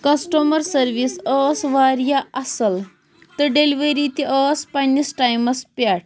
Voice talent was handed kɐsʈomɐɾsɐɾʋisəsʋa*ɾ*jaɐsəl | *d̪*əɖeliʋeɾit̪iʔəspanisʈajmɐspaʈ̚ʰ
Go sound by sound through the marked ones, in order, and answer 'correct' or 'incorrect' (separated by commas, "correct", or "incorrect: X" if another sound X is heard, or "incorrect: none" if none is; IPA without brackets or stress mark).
correct, incorrect: t̪